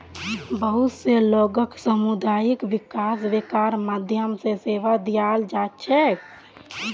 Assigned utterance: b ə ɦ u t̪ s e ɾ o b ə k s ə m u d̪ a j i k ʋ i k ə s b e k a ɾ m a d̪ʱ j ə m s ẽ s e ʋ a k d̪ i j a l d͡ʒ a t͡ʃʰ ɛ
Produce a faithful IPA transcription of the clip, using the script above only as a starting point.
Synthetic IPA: b ə ɦ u t̪ s e l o ɡ ə k s ə m u d̪ a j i k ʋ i k a s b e k a ɾ m a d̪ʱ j ə m s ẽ s e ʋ a d̪ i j a l d͡ʒ a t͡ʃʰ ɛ